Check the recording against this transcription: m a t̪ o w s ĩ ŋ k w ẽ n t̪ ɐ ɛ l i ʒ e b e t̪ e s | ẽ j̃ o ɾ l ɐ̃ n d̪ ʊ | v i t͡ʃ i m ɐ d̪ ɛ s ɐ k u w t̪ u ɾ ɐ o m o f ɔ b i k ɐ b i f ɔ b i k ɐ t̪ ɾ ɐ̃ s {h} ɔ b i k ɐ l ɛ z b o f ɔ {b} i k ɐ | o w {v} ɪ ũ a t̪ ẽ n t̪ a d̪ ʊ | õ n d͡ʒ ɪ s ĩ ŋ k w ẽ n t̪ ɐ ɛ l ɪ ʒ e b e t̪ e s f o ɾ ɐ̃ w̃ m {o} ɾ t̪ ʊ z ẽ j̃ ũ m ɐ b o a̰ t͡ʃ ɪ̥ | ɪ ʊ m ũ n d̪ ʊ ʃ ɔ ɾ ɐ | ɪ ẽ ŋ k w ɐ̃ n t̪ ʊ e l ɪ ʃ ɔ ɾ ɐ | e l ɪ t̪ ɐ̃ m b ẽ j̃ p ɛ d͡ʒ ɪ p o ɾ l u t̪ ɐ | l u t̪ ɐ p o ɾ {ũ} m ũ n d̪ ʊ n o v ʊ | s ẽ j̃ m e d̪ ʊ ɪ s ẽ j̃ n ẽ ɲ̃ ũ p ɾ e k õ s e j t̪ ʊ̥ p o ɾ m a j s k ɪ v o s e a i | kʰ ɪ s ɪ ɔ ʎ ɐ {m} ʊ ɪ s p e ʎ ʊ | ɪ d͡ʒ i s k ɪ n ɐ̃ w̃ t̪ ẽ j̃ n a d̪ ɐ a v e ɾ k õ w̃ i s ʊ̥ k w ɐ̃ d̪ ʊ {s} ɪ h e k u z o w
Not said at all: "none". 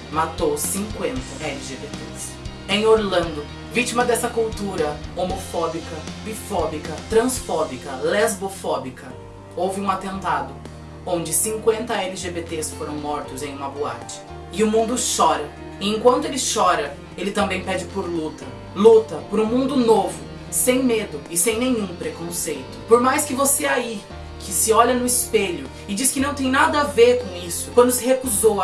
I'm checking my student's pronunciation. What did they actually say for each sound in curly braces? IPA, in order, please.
f, b, v, ɔ, ũ, n, s

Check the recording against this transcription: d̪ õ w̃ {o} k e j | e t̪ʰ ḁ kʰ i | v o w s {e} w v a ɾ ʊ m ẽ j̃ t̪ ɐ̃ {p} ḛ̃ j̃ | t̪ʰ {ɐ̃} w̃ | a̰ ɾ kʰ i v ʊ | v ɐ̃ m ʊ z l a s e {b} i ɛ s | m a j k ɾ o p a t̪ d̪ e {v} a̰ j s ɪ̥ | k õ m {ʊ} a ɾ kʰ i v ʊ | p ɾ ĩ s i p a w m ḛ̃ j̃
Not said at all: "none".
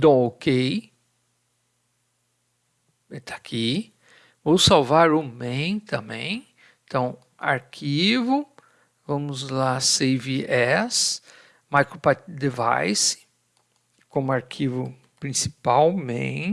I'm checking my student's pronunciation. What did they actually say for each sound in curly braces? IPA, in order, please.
o, a, b, ɐ̃, v, v, ʊ

